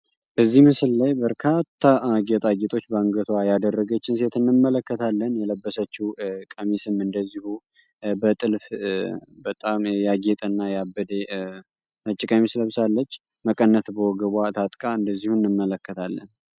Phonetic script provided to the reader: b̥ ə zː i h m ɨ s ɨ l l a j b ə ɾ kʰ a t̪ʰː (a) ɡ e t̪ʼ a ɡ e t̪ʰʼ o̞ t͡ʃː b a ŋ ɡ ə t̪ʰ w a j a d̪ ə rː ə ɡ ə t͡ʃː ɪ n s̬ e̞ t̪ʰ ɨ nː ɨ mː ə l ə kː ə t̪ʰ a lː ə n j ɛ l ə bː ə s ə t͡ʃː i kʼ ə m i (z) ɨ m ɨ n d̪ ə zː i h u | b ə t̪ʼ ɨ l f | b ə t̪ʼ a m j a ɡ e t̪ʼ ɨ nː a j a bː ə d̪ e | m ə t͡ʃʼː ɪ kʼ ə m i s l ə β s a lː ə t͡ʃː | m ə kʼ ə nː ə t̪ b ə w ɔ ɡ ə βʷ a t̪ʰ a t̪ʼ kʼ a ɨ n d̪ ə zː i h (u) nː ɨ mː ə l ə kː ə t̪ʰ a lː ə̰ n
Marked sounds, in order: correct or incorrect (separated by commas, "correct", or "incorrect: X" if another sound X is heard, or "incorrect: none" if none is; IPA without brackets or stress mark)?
correct, incorrect: s, correct